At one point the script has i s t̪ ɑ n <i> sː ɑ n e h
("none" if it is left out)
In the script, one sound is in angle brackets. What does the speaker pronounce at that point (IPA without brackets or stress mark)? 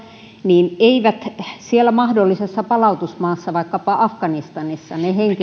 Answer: i